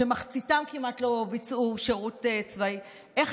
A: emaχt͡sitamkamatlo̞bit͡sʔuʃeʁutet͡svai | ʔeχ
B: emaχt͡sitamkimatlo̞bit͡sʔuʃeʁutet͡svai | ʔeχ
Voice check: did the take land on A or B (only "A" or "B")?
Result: B